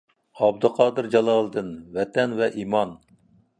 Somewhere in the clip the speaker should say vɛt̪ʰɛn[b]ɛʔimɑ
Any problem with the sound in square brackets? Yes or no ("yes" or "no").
yes